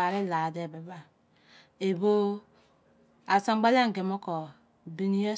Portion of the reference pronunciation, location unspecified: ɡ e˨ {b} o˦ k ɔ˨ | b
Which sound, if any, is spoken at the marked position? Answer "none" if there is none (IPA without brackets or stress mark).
m